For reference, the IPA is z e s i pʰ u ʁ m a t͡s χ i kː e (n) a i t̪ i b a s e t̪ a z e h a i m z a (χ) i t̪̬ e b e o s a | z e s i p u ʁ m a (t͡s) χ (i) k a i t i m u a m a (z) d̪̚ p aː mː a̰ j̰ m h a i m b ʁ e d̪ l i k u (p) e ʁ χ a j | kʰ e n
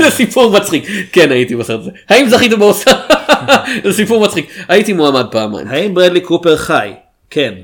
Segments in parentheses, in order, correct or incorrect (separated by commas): correct, correct, correct, correct, incorrect, correct